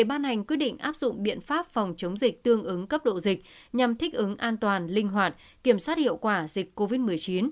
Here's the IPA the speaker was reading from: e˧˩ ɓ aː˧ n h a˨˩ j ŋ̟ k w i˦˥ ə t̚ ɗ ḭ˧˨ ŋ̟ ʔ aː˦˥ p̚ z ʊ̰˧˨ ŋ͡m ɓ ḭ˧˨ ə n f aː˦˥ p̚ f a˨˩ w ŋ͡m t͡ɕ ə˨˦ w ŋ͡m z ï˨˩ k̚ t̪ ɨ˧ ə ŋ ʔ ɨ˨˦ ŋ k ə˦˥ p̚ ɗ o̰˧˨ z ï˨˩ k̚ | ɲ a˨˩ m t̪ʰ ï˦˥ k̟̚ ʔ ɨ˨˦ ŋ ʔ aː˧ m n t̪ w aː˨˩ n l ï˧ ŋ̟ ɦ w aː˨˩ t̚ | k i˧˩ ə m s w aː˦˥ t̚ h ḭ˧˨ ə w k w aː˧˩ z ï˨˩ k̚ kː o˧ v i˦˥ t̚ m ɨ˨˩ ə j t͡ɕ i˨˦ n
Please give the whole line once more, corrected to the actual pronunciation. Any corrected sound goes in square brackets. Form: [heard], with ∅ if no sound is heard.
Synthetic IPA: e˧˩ ɓ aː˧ n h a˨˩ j ŋ̟ k w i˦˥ ə t̚ ɗ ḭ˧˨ ŋ̟ ʔ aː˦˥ p̚ z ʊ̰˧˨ ŋ͡m ɓ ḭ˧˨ ə n f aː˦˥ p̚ f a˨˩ w ŋ͡m t͡ɕ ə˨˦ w ŋ͡m z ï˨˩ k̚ t̪ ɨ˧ ə ŋ ʔ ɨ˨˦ ŋ k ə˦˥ p̚ ɗ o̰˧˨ z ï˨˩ k̚ | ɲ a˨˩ m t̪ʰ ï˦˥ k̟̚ ʔ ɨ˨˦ ŋ ʔ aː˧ [∅] n t̪ w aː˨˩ n l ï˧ ŋ̟ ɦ w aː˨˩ t̚ | k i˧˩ ə m s w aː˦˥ t̚ h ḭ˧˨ ə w k w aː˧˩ z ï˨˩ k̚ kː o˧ v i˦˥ t̚ m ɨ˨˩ ə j t͡ɕ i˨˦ n